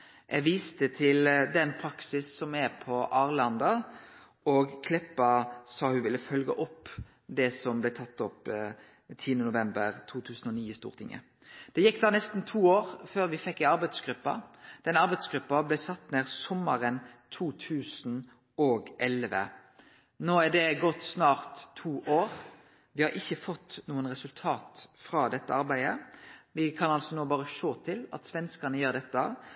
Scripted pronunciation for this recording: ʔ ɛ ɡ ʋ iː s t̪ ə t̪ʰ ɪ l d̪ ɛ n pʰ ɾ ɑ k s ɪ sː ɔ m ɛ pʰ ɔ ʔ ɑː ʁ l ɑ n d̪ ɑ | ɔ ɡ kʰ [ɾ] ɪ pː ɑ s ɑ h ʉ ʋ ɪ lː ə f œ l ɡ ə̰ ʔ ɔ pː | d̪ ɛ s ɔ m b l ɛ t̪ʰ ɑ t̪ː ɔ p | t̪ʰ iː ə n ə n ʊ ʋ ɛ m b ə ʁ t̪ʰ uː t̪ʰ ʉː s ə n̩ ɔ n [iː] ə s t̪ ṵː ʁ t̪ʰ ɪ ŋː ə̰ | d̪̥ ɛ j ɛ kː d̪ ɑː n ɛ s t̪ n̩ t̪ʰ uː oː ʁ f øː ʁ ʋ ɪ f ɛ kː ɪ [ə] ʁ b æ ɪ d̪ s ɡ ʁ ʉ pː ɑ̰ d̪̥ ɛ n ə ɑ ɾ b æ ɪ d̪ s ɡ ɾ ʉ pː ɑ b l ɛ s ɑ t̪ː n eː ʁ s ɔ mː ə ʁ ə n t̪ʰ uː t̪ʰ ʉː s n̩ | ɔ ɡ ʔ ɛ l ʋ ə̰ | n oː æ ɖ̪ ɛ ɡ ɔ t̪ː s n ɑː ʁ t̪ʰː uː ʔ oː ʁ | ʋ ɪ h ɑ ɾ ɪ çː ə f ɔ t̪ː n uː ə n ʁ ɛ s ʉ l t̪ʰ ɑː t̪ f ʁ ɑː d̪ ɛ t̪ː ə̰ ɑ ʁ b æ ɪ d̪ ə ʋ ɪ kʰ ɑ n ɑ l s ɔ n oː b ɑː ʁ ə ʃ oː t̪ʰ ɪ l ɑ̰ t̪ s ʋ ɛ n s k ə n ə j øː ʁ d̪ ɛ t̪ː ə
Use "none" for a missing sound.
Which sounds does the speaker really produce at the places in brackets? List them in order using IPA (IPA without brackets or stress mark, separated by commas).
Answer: l, iː, ɑ